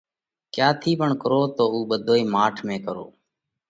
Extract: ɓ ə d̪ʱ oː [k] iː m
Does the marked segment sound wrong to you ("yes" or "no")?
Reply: yes